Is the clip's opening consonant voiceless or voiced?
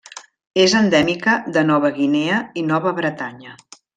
voiced